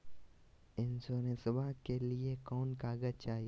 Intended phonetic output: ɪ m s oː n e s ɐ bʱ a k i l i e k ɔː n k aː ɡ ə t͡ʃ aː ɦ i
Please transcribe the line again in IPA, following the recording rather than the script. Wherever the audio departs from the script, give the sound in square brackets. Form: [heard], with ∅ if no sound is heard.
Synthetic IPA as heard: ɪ [n] s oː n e s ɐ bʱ a k [e] l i e k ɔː n k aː ɡ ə t͡ʃ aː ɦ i